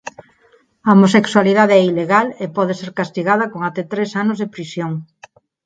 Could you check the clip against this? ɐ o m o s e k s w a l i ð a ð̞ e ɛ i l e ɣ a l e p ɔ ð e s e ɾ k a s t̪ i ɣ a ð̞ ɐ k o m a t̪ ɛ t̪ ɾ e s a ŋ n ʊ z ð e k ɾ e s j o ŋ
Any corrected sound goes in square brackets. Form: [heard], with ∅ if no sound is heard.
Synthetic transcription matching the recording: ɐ o m o s e k s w a l i ð a ð̞ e ɛ i l e ɣ a l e p ɔ ð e s e ɾ k a s t̪ i ɣ a ð̞ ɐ k o [ŋ] a t̪ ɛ t̪ ɾ e s a [∅] n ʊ z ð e [p] ɾ [i] s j o ŋ